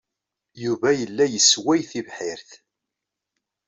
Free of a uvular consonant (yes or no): yes